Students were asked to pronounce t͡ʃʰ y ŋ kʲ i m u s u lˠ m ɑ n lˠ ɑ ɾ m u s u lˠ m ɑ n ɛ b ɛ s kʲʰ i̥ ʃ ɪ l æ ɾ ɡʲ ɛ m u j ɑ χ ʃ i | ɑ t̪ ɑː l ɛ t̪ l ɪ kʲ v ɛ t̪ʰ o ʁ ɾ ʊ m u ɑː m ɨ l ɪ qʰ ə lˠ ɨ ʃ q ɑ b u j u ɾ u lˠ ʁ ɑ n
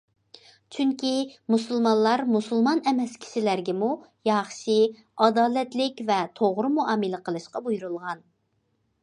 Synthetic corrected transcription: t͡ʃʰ y ŋ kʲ i m u s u lˠ m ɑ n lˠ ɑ ɾ m u s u lˠ m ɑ n ɛ m ɛ s kʲʰ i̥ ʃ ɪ l æ ɾ ɡʲ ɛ m u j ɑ χ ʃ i | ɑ d̪ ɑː l ɛ t̪ l ɪ kʲ v ɛ t̪ʰ o ʁ ɾ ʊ m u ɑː m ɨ l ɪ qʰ ə lˠ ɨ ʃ q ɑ b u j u ɾ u lˠ ʁ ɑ n